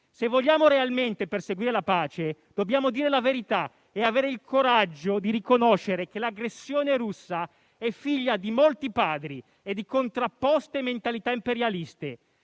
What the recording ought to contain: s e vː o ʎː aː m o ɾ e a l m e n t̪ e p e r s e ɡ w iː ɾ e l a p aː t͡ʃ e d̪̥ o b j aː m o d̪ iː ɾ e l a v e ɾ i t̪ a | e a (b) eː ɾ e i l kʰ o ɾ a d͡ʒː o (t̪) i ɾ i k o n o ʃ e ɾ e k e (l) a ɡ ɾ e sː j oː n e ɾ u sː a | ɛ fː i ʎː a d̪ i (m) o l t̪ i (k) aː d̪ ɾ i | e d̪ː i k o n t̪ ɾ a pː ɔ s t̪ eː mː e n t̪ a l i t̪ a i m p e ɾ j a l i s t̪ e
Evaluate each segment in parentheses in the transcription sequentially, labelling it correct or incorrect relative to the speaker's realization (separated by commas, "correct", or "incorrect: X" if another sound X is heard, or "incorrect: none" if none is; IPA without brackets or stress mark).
incorrect: v, incorrect: d̪, correct, correct, incorrect: p